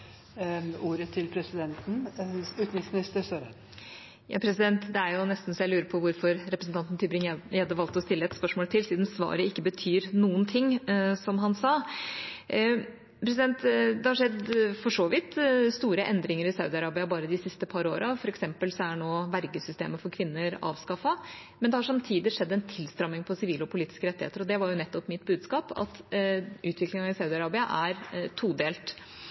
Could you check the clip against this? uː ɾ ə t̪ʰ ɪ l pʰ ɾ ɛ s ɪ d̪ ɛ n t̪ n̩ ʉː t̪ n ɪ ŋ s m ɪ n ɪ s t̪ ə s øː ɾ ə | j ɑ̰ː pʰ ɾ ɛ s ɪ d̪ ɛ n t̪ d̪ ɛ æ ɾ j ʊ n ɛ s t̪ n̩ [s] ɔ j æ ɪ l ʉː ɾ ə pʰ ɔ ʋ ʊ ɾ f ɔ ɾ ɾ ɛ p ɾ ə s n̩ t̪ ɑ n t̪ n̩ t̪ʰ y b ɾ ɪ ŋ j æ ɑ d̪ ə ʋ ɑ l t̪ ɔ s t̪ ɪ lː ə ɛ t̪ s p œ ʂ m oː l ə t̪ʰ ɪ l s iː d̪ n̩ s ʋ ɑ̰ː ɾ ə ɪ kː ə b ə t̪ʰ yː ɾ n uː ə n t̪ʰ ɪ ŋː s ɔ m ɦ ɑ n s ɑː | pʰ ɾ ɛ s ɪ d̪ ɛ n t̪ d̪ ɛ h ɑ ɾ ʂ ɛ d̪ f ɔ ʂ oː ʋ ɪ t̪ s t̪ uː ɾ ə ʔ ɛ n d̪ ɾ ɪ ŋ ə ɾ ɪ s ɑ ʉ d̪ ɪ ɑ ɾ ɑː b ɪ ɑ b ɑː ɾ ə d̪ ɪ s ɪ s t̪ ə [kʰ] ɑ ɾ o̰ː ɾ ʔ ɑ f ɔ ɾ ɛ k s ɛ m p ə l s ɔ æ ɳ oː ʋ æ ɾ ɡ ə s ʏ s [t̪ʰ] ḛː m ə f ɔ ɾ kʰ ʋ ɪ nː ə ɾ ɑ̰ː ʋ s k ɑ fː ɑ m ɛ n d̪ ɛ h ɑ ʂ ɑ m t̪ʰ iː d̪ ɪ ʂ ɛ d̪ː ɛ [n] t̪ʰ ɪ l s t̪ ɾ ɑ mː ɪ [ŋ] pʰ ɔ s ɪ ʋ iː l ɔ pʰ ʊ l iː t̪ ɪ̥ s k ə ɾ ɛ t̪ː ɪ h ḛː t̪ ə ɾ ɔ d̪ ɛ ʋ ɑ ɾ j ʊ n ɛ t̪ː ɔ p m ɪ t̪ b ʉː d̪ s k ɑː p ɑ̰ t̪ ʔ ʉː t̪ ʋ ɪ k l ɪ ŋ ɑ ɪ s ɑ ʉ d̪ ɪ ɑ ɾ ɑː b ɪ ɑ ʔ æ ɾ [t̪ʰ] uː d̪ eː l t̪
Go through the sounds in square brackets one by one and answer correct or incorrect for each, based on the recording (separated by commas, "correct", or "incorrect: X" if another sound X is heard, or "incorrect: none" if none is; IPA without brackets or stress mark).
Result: correct, incorrect: pʰ, incorrect: t̪, correct, correct, correct